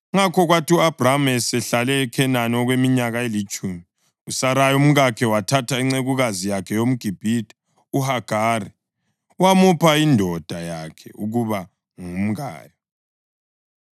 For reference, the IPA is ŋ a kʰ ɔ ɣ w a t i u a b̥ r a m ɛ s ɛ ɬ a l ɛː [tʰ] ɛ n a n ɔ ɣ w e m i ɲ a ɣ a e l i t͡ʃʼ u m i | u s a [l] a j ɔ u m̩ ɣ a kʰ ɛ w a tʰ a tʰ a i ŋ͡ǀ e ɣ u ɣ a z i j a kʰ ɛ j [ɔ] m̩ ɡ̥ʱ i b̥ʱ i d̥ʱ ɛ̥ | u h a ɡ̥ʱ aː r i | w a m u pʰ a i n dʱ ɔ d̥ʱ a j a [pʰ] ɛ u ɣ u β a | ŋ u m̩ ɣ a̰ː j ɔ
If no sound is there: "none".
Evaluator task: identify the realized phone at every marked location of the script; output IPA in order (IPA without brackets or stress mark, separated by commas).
kʰ, ɾ, o, kʰ